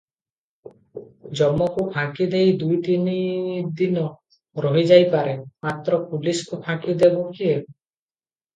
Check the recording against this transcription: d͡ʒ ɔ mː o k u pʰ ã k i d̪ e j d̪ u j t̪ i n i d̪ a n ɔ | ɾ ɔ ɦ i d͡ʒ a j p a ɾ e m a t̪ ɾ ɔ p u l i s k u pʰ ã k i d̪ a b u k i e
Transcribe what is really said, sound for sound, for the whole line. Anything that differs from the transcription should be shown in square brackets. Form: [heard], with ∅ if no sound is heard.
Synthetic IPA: d͡ʒ ɔ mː [ɔ] k u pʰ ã k i d̪ e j d̪ u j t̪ i n i d̪ [i] n ɔ | ɾ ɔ ɦ i d͡ʒ a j p a ɾ e m a t̪ ɾ ɔ p u l i s k u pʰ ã k i d̪ [e] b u k i e